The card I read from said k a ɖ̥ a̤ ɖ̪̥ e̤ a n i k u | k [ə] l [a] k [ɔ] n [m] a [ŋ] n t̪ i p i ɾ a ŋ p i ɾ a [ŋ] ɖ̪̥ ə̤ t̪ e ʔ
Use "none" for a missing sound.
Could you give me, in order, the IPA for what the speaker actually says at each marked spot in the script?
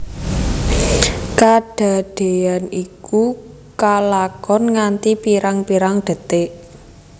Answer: a, a, ɔ, ŋ, none, ŋ

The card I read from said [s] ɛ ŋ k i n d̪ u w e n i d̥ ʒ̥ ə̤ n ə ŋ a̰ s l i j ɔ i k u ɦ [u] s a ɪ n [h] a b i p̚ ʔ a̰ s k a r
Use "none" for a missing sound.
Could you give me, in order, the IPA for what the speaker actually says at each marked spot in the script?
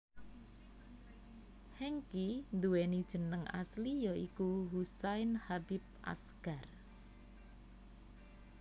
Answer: h, u, h

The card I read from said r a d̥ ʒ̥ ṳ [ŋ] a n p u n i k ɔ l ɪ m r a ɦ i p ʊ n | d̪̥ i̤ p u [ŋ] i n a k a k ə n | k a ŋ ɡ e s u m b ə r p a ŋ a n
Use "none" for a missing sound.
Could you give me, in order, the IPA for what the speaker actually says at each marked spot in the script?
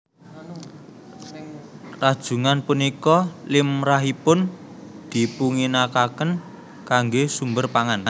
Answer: ŋ, ŋ

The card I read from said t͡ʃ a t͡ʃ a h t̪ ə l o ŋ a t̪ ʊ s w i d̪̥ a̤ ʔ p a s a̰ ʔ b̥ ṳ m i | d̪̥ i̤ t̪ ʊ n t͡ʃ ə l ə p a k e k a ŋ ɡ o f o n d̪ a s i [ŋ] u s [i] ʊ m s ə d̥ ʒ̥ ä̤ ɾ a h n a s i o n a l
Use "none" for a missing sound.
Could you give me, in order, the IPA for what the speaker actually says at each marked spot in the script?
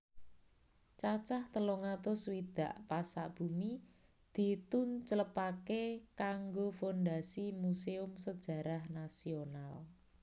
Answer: m, e

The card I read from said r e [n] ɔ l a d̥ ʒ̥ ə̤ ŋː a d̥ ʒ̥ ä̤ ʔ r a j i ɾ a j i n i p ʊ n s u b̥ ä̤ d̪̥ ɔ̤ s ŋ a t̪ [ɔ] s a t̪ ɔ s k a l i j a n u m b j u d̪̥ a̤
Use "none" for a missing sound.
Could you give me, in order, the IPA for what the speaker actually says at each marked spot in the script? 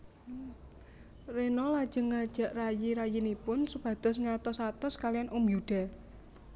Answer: n, ɔ

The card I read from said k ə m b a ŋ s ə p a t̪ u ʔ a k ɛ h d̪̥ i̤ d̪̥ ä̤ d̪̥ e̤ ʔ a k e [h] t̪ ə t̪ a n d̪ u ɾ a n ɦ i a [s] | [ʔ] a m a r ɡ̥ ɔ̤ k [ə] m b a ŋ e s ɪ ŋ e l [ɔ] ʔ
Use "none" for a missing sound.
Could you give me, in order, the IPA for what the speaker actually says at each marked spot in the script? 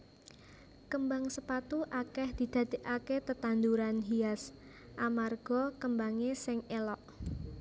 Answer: none, s, ʔ, ə, ɔ

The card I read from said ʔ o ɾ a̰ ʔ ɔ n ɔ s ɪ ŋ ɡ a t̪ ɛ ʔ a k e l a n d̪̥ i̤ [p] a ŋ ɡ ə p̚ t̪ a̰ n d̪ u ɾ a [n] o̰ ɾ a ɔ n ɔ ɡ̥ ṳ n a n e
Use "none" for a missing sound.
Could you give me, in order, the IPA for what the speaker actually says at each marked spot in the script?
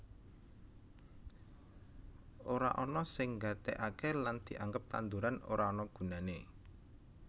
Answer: ʔ, n

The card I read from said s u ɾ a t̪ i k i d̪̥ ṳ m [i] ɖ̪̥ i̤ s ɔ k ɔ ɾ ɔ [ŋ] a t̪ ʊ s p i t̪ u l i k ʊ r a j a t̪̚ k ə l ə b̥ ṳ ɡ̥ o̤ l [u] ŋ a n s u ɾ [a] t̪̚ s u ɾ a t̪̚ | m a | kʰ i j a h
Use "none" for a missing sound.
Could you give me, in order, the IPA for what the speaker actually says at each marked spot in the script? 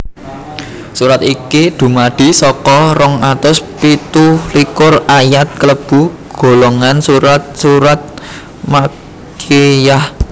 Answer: a, ŋ, o, a

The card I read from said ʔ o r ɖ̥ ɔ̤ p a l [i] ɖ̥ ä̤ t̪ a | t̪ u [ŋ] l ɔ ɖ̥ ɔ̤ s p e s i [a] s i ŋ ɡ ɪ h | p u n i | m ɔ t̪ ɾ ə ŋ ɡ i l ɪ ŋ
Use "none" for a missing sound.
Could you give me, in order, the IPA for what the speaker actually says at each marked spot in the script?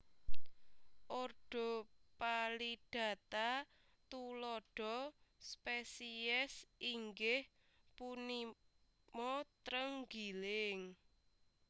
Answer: i, none, ɛ

